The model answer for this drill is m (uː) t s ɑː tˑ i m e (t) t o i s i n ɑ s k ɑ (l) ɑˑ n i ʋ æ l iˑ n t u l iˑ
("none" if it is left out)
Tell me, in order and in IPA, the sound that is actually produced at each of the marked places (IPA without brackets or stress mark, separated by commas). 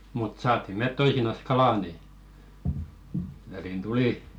u, t, l